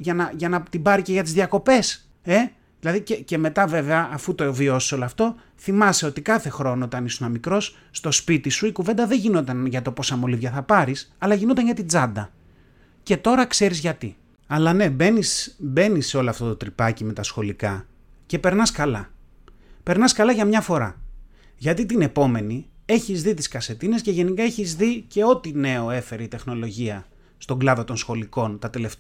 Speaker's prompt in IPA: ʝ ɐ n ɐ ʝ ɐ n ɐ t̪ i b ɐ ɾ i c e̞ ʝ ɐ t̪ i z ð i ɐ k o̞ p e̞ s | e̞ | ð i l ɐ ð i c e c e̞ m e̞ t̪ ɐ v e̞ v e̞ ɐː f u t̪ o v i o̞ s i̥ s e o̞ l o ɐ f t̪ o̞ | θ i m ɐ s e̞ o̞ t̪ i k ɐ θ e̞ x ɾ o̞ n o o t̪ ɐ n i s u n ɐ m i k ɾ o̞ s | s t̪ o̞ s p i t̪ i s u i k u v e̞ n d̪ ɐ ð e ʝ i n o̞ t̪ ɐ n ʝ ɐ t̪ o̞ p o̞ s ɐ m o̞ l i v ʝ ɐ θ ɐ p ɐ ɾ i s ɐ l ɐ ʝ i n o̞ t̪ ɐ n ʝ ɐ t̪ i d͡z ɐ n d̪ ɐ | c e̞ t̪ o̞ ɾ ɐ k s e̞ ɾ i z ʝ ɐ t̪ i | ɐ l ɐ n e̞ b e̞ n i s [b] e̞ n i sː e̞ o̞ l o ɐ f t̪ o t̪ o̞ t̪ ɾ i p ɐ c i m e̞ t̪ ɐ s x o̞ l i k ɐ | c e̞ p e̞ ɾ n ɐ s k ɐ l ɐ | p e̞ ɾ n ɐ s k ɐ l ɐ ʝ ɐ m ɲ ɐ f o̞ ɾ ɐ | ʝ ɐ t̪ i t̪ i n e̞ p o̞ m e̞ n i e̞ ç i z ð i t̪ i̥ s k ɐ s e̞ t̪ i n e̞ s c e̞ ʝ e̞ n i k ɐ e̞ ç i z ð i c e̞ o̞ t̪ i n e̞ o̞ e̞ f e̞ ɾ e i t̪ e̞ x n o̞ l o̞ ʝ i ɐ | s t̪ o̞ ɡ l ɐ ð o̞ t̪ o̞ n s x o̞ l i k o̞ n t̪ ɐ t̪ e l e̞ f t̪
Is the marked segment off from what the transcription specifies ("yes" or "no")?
no